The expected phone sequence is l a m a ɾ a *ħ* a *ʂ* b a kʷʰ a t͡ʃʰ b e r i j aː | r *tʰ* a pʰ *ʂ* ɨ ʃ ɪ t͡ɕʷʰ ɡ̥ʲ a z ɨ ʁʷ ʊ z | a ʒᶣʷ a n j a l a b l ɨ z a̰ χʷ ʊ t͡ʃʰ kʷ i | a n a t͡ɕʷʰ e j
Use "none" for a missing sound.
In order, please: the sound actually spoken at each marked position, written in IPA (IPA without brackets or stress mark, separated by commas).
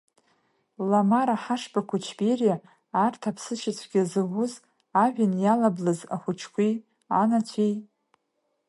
ħ, ʂ, tʰ, s